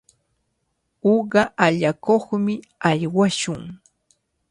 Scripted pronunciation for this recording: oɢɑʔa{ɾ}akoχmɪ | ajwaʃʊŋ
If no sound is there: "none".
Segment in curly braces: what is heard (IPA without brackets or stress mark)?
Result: ʎ